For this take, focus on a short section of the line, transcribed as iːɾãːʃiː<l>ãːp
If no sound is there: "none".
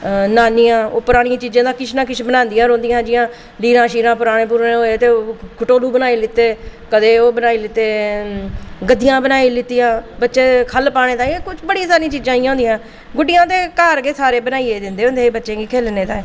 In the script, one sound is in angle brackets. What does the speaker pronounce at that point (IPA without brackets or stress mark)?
ɾ